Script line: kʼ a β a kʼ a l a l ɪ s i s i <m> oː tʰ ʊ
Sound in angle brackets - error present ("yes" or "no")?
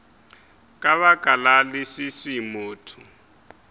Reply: no